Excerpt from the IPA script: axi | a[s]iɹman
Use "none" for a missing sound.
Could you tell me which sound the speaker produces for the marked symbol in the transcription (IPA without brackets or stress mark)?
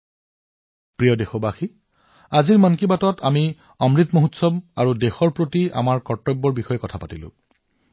z